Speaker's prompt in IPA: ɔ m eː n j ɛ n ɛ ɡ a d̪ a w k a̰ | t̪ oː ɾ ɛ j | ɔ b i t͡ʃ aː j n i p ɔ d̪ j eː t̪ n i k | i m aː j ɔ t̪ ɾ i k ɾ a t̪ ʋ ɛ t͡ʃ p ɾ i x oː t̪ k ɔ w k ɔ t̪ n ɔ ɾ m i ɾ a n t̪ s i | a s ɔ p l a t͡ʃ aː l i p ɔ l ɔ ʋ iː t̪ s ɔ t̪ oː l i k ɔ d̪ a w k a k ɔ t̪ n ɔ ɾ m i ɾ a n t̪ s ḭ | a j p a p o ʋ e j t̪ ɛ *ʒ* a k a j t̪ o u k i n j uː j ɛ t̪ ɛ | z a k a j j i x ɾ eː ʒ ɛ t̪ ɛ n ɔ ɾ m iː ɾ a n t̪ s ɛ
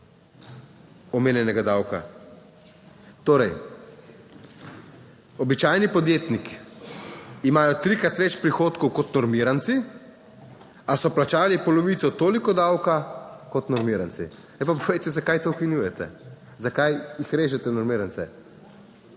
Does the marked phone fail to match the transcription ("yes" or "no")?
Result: yes